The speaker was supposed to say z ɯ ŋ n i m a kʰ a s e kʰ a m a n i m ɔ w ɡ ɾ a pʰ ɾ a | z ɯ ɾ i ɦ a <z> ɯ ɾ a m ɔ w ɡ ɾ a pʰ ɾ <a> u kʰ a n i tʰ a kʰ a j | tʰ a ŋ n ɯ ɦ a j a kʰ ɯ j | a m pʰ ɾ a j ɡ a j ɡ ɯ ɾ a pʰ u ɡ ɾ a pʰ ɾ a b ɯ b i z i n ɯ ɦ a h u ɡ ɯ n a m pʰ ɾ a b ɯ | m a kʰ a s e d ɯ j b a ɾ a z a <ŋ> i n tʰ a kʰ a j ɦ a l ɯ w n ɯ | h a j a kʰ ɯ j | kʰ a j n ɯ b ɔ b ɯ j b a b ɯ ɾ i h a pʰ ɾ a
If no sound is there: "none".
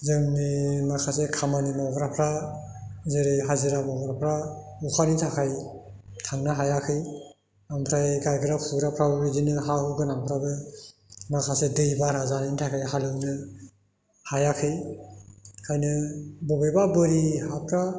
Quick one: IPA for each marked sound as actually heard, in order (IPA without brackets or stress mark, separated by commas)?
z, a, n